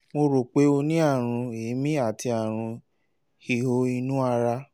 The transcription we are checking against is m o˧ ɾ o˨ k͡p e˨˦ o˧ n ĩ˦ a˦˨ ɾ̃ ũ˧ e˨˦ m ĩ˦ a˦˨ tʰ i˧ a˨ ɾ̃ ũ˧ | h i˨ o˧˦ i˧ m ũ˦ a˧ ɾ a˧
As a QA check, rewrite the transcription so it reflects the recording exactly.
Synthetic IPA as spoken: m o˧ ɾ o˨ k͡p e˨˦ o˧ n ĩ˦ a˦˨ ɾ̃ ũ˧ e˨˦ m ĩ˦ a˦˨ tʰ i˧ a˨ ɾ̃ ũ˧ | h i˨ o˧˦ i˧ n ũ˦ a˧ ɾ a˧